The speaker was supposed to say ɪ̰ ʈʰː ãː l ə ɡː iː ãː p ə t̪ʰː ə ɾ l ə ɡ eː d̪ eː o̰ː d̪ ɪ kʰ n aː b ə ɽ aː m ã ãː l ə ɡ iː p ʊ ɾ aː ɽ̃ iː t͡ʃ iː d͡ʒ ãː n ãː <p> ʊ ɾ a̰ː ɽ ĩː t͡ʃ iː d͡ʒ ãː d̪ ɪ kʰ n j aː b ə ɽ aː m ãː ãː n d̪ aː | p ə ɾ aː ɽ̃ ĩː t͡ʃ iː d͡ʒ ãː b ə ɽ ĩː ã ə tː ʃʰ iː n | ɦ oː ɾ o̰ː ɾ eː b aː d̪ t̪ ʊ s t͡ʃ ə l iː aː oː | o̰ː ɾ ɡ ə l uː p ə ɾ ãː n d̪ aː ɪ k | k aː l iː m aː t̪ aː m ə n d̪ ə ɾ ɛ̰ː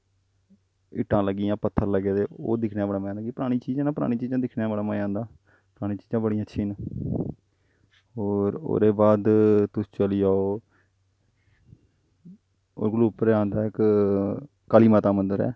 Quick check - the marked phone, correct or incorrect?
correct